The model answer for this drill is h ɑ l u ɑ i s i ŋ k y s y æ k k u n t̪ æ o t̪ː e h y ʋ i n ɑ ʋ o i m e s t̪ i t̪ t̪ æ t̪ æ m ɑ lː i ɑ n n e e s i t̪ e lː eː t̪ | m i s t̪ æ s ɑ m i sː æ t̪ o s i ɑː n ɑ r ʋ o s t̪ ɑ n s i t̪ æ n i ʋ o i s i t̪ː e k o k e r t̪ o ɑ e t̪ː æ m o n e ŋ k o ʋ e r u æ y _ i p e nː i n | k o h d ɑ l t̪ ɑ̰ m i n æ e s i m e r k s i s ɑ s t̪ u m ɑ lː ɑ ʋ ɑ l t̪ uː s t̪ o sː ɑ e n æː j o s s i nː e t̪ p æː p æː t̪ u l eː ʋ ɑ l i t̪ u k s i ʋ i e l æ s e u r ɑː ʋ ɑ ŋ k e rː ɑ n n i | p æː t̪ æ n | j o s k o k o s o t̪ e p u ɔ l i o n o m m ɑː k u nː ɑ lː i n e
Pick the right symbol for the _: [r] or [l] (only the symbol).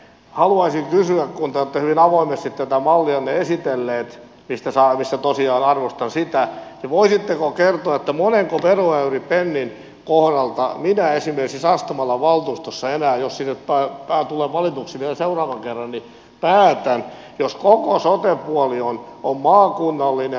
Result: r